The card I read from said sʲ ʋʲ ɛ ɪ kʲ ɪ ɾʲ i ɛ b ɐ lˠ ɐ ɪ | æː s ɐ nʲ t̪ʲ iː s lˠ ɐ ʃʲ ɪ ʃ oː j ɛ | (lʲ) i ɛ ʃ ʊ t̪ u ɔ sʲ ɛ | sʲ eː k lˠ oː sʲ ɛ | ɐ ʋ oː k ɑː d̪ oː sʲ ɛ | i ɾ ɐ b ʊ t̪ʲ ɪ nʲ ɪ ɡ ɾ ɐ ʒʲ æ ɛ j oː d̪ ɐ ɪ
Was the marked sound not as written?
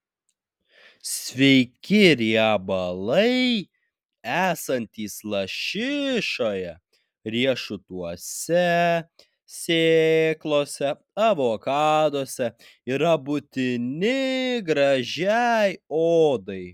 yes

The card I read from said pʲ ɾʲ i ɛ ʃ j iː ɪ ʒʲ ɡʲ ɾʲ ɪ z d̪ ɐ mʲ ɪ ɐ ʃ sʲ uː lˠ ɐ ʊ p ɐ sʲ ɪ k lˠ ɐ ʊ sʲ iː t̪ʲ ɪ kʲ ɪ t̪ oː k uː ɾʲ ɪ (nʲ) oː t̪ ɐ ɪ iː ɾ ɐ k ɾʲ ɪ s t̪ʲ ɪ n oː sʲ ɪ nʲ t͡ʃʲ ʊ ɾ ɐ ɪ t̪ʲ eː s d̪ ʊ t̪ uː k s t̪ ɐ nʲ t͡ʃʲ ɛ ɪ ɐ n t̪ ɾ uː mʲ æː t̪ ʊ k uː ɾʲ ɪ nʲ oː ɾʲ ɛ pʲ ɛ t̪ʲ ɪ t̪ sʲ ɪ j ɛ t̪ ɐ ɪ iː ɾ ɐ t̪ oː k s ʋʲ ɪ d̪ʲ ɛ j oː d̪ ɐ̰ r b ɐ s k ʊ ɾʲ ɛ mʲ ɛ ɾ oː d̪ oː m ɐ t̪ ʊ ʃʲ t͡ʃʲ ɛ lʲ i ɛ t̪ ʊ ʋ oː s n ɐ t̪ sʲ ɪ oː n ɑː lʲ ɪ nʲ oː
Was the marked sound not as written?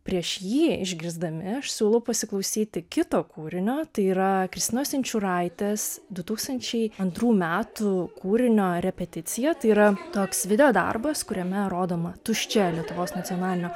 no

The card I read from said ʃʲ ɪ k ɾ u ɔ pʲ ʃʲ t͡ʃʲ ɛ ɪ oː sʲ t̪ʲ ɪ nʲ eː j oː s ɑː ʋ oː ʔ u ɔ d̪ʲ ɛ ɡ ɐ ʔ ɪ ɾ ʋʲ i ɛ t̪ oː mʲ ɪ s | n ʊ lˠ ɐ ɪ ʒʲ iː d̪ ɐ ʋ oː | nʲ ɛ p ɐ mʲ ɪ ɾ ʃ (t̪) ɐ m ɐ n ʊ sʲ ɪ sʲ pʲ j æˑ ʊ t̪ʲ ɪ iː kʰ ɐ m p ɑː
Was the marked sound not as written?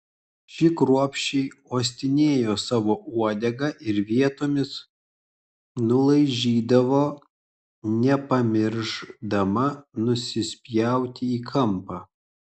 yes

